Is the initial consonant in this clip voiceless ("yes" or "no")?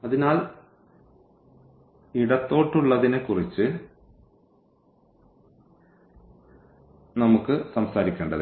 no